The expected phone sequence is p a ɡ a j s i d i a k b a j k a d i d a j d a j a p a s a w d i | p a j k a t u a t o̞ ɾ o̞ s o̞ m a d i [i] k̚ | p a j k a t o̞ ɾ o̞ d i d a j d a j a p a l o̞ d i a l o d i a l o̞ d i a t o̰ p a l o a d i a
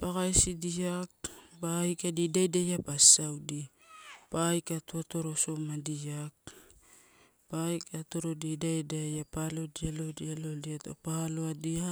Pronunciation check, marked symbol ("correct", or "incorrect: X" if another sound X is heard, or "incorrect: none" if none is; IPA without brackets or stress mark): incorrect: a